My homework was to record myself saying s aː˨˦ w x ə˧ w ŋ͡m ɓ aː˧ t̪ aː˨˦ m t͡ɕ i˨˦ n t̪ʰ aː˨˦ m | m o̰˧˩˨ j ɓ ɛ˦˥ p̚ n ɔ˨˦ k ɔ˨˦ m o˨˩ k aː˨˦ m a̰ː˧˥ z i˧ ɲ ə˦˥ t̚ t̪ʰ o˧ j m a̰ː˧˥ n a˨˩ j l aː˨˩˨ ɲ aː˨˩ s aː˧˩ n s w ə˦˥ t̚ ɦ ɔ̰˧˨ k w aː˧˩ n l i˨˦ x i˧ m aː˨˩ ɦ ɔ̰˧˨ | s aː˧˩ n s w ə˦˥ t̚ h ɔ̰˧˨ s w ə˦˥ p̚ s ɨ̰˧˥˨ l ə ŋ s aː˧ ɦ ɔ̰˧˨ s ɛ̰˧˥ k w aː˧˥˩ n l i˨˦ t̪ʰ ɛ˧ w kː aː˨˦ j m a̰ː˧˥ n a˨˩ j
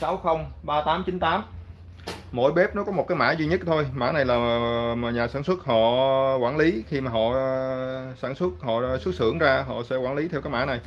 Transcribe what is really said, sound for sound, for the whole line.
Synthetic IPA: s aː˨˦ w x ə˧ w ŋ͡m ɓ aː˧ t̪ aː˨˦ m t͡ɕ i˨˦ n t̪ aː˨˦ m | m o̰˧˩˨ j ɓ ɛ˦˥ p̚ n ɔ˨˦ k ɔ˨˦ m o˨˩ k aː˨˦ m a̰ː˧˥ z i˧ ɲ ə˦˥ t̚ t̪ʰ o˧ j m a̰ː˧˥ n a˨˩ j l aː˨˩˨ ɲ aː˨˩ s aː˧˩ n s w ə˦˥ t̚ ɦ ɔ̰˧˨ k w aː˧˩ n l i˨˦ x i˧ m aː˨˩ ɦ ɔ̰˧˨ | s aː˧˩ n s w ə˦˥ t̚ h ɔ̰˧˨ s w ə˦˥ t̚ s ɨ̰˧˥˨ ə ŋ z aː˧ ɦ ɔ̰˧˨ s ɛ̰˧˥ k w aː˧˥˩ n l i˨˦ t̪ʰ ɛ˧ w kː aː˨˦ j m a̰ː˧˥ n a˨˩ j